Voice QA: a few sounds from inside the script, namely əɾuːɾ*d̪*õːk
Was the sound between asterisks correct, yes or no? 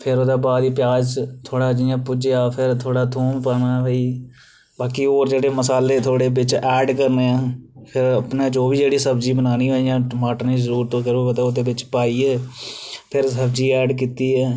no